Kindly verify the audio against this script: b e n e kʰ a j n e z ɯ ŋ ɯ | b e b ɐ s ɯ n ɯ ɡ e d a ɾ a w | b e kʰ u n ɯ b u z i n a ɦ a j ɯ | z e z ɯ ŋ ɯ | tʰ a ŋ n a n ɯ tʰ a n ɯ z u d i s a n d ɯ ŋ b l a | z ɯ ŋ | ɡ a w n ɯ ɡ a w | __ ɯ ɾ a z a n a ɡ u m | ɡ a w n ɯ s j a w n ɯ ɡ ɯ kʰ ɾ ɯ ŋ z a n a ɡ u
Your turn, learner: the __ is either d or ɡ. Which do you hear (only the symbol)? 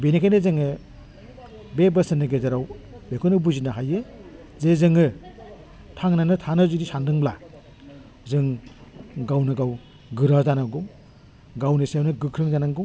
ɡ